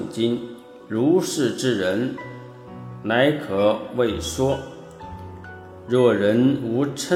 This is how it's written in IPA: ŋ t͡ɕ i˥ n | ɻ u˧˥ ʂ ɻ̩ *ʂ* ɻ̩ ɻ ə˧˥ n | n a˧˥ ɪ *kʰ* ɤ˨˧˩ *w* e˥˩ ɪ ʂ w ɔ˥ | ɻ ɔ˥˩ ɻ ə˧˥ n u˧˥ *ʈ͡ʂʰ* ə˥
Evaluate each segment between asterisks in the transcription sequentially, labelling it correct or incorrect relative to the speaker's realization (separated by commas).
incorrect, correct, correct, correct